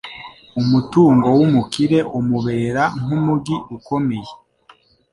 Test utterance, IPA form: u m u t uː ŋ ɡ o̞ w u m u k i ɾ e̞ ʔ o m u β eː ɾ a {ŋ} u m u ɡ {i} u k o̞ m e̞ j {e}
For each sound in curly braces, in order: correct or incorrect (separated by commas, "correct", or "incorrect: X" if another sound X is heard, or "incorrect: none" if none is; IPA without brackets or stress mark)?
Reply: correct, correct, correct